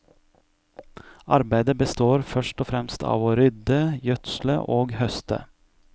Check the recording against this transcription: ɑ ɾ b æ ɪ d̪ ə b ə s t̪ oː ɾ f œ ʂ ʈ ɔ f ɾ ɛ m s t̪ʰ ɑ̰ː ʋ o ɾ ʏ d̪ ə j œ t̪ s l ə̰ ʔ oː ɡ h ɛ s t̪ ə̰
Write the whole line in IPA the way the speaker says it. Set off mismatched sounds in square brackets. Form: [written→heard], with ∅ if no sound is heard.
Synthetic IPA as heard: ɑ ɾ b æ ɪ d̪ ə b ə s t̪ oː ɾ f œ ʂ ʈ ɔ f ɾ ɛ m s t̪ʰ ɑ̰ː ʋ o ɾ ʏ d̪ ə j œ t̪ s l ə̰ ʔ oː ɡ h [ɛ→œ] s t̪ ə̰

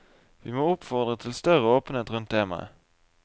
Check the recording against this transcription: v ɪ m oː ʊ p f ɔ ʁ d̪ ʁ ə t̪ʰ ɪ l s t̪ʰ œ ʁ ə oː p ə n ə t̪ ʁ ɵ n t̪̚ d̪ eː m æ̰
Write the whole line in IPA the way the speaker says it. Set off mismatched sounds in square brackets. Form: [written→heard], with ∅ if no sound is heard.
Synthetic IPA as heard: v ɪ m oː ʊ p f ɔ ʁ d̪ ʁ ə t̪ʰ ɪ l s [t̪ʰ→t̪] œ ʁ ə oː p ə n ə t̪ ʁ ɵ n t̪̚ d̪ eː m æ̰

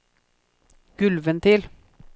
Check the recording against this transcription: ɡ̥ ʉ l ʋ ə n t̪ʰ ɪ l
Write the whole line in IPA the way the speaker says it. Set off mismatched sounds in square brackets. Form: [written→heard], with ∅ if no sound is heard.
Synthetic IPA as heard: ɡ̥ ʉ l ʋ ə n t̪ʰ ɪ l

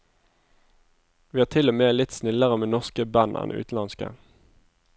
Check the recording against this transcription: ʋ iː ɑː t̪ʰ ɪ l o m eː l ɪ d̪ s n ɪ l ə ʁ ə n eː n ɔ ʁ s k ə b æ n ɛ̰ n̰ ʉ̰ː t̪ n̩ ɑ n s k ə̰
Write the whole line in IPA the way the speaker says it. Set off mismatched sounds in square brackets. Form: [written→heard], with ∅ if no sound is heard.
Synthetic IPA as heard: ʋ iː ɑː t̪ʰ ɪ l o m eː l ɪ [d̪→t̪] s n ɪ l ə ʁ ə [n→m] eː n ɔ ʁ s k ə b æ n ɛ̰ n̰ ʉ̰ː t̪ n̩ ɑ n s k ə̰

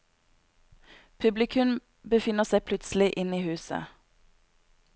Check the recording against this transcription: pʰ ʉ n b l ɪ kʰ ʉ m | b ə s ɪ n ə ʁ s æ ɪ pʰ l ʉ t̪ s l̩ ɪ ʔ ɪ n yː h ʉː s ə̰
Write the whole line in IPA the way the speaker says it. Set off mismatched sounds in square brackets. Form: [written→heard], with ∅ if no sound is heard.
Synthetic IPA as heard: pʰ ʉ [n→∅] b l ɪ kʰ ʉ m | b ə [s→f] ɪ n ə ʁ s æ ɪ pʰ l ʉ t̪ s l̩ ɪ ʔ ɪ n [yː→iː] h ʉː s ə̰

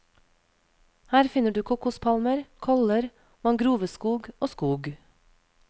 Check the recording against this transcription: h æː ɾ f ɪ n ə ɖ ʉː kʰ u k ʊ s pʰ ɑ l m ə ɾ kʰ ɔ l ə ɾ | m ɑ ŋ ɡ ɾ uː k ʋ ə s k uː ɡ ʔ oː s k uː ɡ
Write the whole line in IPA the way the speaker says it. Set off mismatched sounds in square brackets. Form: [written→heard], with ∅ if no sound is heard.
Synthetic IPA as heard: h æː ɾ f ɪ n ə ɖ ʉː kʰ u k ʊ s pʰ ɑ l m ə ɾ kʰ ɔ l ə ɾ | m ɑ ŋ ɡ ɾ uː [k→∅] ʋ ə s k uː ɡ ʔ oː s k uː ɡ

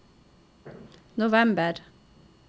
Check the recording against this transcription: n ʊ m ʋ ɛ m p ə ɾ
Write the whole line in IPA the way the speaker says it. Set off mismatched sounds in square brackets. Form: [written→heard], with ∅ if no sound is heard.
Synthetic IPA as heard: n ʊ [m→∅] ʋ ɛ m [p→b] ə ɾ

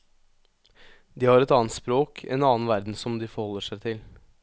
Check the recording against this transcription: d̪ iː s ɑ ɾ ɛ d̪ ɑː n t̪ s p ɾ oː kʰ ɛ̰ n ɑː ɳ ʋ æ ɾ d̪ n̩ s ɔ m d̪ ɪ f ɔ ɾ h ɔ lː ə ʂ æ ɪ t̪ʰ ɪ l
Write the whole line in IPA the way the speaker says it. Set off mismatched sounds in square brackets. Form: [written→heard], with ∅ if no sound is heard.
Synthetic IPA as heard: d̪ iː [s→h] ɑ ɾ ɛ [d̪→t̪] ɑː n t̪ s p ɾ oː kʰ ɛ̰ n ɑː [ɳ→n] ʋ æ ɾ d̪ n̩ s ɔ m d̪ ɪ f ɔ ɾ h ɔ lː ə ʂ æ ɪ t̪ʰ ɪ l

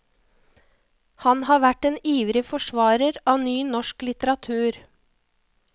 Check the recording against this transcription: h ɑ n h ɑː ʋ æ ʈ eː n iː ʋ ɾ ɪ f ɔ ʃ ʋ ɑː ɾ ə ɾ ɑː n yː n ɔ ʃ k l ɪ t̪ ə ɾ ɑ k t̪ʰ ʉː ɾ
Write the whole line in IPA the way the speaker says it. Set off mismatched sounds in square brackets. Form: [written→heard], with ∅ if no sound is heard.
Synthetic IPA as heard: h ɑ n h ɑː ʋ æ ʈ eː n iː ʋ ɾ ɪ f ɔ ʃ ʋ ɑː ɾ ə ɾ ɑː n yː n ɔ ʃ k l ɪ t̪ ə ɾ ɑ [k→∅] t̪ʰ ʉː ɾ

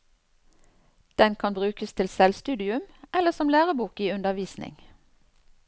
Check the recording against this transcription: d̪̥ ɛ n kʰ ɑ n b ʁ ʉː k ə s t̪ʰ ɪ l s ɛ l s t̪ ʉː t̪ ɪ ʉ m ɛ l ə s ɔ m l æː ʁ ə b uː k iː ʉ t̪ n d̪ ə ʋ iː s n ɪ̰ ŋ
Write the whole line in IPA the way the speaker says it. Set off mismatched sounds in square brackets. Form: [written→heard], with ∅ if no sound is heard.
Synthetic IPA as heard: d̪̥ ɛ n kʰ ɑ n b ʁ ʉː k ə s t̪ʰ ɪ l s ɛ l s t̪ ʉː [t̪→d̪] ɪ ʉ m ɛ l ə s ɔ m l æː ʁ ə b uː k iː ʉ [t̪→∅] n d̪ ə ʋ iː s n ɪ̰ ŋ

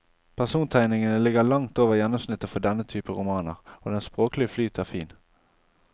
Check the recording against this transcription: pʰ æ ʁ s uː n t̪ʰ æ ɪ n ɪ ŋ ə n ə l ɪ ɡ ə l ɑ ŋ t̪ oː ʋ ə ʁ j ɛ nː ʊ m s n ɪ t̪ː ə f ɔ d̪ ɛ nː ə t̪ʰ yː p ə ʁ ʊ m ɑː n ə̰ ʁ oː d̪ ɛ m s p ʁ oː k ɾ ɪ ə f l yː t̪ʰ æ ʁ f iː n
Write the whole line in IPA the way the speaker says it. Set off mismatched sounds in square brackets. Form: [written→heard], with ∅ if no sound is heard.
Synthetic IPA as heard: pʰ æ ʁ s uː n t̪ʰ æ ɪ n ɪ ŋ ə n ə l ɪ ɡ ə l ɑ ŋ t̪ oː ʋ ə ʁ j ɛ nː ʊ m s n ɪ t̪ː ə f ɔ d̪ ɛ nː ə t̪ʰ yː p ə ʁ ʊ m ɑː n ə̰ ʁ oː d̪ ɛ [m→n] s p ʁ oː k [ɾ→l] ɪ ə f l yː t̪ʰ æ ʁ f iː n

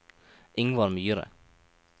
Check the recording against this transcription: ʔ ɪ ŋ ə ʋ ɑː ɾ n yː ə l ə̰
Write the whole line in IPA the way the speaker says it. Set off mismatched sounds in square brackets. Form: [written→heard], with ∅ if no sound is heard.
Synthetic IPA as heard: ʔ ɪ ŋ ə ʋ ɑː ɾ [n→m] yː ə [l→ɾ] ə̰

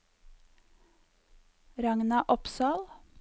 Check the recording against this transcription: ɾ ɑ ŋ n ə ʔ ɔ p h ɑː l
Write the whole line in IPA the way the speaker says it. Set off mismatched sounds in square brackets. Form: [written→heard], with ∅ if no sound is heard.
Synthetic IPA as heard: ɾ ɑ ŋ n [ə→ɑ] ʔ ɔ p [h→s] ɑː l

